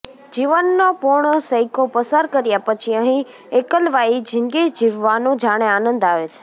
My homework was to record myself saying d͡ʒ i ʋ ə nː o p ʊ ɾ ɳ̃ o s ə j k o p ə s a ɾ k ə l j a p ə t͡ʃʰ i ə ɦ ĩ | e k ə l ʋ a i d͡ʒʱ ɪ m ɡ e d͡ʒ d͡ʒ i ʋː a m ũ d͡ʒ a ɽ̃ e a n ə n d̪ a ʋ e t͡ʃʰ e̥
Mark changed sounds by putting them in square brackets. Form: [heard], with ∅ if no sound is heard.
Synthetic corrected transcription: d͡ʒ i ʋ ə nː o p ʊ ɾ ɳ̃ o s ə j k o p ə s a ɾ k ə [ɾ] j a p ə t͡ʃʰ i ə ɦ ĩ | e k ə l ʋ a i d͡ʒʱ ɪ [ŋ] ɡ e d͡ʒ d͡ʒ i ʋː a [n] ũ d͡ʒ a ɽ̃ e a n ə n d̪ a ʋ e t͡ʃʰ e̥